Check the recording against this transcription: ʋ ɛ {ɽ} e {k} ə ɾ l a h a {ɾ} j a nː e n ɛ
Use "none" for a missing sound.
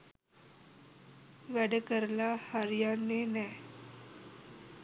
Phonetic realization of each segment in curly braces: ɽ, k, ɾ

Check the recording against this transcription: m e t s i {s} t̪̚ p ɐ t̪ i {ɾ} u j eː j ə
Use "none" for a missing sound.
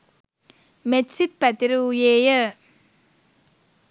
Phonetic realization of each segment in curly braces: none, ɾ

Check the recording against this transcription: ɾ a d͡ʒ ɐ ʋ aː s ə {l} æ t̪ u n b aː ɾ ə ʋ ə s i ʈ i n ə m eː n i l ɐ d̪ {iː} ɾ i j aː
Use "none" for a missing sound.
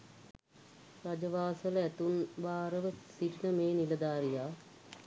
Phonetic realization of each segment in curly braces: l, aː

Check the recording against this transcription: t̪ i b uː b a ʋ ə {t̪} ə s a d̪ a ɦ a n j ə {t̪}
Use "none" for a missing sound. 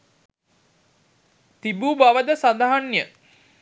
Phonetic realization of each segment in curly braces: d̪, none

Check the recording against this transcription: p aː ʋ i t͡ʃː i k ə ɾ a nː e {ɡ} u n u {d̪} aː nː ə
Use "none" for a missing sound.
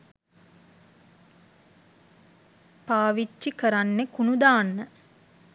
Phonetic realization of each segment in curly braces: k, d̪

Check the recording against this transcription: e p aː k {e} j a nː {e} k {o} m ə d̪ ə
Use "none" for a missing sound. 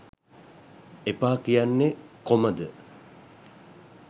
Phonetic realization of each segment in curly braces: i, e, o

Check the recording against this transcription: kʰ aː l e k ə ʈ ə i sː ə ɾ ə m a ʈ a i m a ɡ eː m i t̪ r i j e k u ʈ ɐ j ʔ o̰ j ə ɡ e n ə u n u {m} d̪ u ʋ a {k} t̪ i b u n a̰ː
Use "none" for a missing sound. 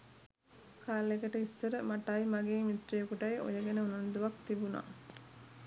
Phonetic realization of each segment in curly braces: n, k

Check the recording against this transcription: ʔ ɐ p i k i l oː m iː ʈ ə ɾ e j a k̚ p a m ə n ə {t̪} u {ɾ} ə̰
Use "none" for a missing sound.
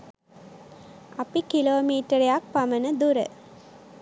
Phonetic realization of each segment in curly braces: d̪, ɾ

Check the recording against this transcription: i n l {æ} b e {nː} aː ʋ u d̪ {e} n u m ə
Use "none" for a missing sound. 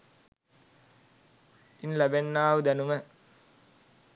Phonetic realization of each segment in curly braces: æ, nː, æ

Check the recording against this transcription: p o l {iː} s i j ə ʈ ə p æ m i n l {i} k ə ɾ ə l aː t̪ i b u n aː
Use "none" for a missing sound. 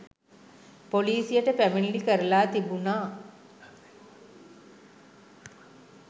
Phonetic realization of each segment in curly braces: iː, i

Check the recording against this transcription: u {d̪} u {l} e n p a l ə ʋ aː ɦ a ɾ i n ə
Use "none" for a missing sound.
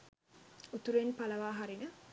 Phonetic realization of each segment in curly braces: t̪, ɾ

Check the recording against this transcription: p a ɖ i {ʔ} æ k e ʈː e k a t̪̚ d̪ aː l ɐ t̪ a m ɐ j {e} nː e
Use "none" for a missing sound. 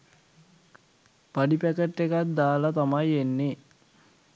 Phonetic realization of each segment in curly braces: p, e

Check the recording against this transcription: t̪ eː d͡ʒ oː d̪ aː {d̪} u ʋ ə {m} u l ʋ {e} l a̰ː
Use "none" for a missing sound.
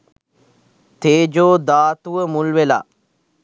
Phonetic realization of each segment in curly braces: t̪, m, e

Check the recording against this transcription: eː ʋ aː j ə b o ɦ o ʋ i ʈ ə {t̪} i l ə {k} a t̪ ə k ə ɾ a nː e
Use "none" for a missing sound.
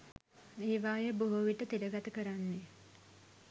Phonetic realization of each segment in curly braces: t̪, ɡ

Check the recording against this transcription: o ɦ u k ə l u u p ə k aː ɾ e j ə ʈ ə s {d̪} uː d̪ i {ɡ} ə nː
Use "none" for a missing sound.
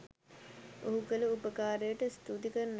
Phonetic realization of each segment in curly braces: t̪, k

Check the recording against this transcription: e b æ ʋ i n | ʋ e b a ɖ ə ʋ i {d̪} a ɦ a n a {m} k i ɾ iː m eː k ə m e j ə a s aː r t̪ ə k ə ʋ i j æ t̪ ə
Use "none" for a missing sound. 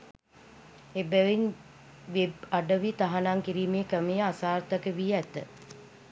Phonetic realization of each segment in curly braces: t̪, ŋ

